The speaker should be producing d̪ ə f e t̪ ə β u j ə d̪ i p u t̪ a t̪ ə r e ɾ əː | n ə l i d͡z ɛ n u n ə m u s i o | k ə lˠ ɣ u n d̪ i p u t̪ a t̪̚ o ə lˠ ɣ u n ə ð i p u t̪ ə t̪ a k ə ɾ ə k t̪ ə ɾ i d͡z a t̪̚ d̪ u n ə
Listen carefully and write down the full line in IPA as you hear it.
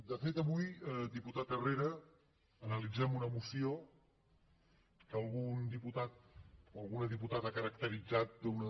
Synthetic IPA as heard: d̪ ə f e t̪ ə β u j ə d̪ i p u t̪ a t̪ ə r e ɾ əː | n ə l i d͡z ɛ m u n ə m u s i o | k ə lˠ ɣ u n d̪ i p u t̪ a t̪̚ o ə lˠ ɣ u n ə ð i p u t̪ a t̪ a k ə ɾ ə k t̪ ə ɾ i d͡z a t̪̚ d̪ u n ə